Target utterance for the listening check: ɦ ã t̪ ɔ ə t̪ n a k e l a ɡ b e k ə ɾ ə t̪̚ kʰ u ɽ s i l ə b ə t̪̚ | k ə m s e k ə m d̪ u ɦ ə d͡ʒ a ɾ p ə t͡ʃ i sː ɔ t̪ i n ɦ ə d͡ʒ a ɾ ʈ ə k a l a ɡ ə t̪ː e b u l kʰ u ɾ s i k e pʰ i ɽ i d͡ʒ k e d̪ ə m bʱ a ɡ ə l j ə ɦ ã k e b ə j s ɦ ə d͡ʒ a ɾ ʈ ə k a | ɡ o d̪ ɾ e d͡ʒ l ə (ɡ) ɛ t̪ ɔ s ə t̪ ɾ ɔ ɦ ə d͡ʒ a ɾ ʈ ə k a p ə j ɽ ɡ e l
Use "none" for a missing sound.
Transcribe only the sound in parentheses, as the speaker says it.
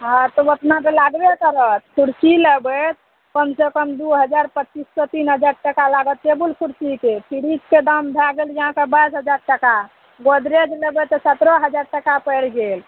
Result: b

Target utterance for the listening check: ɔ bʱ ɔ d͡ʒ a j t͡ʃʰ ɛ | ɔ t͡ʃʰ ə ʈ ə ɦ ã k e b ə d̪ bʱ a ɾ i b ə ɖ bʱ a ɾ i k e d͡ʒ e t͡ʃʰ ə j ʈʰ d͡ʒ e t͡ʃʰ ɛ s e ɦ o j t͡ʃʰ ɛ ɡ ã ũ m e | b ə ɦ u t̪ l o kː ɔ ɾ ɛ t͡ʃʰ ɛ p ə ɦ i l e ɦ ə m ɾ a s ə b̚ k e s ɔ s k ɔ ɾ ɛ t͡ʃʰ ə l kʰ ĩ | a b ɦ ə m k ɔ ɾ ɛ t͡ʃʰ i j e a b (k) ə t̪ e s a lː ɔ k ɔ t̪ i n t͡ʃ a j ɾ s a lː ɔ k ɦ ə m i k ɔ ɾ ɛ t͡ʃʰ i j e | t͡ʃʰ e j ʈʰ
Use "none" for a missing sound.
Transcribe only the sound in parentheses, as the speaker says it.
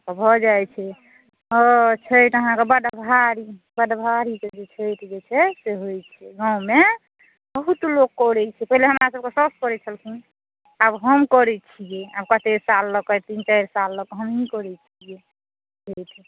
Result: k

